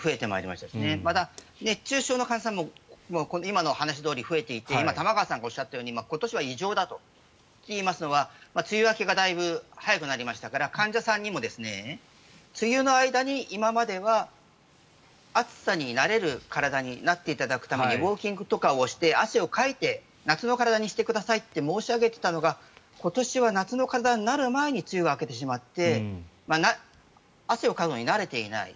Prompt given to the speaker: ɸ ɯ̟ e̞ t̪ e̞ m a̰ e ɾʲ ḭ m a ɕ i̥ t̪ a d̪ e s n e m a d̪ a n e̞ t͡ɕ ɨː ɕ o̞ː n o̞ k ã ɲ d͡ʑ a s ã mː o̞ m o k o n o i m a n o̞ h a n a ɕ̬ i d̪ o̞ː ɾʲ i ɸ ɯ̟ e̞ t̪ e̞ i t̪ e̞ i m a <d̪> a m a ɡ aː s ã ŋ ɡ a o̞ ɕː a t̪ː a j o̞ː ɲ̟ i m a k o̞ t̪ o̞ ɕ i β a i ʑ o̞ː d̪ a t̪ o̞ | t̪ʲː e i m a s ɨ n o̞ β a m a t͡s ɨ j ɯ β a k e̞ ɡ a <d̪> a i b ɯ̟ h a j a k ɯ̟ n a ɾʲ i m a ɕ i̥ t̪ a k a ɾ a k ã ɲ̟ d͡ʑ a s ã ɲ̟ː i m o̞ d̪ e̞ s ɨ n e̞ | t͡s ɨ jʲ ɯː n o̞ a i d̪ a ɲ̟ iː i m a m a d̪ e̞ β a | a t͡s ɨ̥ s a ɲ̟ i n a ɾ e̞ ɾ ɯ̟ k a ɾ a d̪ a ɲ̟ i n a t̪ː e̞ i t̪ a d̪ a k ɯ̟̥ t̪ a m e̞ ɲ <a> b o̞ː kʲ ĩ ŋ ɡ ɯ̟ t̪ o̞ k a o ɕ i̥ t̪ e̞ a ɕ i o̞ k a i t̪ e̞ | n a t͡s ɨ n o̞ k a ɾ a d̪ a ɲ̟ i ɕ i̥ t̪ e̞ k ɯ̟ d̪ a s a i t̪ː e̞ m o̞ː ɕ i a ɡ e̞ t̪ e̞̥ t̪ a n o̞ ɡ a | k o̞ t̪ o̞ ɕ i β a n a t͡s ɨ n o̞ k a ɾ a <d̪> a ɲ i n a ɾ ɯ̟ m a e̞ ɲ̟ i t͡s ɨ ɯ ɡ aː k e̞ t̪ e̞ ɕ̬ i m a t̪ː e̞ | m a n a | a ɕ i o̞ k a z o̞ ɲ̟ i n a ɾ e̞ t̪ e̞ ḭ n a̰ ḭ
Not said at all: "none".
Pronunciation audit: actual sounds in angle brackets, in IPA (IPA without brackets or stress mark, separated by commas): t̪, d̪, i, d̪